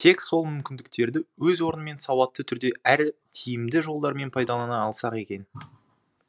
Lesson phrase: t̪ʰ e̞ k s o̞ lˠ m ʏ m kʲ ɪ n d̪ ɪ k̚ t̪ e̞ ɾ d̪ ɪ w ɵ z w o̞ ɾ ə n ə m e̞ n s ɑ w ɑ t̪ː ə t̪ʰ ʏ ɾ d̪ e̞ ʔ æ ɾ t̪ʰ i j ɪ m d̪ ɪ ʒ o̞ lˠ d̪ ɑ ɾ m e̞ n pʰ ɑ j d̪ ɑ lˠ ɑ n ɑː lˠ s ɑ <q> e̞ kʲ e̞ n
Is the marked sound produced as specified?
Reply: yes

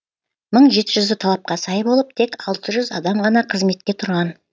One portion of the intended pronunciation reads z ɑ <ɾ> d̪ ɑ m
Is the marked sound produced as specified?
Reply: no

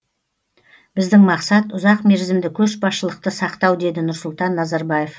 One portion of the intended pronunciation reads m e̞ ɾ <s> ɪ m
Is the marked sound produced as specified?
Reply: no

